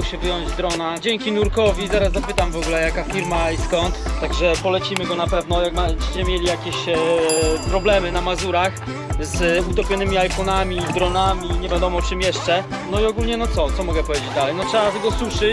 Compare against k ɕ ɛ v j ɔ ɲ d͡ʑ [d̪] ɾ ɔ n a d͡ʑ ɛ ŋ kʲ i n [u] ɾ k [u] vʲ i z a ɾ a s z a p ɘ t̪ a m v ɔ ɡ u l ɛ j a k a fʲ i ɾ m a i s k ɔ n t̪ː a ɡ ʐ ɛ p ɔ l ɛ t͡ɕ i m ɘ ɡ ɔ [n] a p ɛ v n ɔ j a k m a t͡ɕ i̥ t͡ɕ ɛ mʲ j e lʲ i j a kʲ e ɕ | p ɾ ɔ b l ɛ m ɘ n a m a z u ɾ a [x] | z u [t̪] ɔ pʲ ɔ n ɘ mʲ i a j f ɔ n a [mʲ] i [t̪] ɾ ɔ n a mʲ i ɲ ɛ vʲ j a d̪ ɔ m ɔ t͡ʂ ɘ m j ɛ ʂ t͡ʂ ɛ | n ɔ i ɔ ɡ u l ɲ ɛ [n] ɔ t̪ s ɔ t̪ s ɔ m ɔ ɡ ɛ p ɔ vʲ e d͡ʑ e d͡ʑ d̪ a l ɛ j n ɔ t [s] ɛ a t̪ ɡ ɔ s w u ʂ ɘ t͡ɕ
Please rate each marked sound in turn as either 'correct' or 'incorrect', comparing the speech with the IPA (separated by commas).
correct, correct, incorrect, correct, correct, correct, correct, incorrect, correct, incorrect